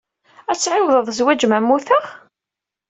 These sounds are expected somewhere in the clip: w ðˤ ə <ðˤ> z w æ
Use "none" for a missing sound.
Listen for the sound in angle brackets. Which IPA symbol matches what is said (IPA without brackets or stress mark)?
ðˤ